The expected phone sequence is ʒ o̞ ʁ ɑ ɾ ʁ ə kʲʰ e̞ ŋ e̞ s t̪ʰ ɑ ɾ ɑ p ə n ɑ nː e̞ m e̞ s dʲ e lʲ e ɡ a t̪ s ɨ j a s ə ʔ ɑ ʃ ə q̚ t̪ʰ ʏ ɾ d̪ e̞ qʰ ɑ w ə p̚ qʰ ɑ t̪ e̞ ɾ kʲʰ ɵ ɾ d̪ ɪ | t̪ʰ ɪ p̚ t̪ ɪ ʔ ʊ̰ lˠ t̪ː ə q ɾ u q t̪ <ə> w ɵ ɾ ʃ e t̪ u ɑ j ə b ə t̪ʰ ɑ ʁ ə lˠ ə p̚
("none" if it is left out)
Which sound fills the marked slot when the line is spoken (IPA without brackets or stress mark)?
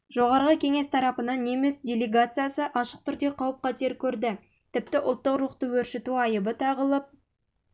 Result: ə